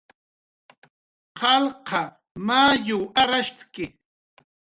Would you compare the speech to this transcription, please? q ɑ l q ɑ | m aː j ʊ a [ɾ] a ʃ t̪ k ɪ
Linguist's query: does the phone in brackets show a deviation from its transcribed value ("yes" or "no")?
no